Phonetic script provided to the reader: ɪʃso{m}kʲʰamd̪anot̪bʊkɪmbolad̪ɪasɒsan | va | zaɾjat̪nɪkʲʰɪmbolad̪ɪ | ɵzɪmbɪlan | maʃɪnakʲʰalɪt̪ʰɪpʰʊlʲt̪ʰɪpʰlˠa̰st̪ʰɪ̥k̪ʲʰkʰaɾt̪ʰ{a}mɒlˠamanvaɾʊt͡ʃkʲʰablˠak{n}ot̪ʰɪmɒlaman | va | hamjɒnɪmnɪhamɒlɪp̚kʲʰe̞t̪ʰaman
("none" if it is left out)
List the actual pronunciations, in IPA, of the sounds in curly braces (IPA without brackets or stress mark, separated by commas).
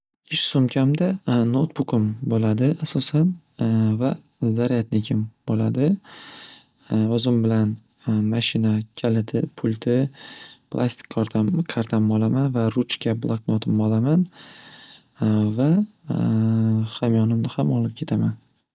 m, a, n